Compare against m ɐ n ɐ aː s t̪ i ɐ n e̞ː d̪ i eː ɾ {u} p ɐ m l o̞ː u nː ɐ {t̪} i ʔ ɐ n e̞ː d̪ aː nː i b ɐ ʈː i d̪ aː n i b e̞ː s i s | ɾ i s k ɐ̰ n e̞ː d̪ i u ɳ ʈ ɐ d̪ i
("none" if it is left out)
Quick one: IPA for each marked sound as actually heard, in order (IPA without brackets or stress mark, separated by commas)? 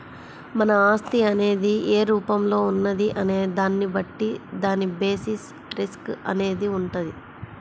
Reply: uː, d̪